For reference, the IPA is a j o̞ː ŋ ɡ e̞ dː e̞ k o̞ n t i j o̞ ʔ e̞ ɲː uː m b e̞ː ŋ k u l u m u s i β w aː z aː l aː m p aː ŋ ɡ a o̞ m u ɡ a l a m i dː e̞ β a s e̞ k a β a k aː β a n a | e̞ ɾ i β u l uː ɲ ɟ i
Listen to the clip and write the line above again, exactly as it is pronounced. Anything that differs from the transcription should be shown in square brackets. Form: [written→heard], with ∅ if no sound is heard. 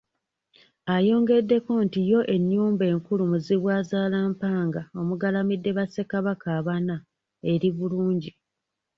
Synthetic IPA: a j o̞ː ŋ ɡ e̞ dː e̞ k o̞ n t i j o̞ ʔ e̞ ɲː uː m b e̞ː ŋ k u l u m u [s→z] i β w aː z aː l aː m p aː ŋ ɡ a o̞ m u ɡ a l a m i dː e̞ β a s e̞ k a β a k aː β a n a | e̞ ɾ i β u l uː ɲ ɟ i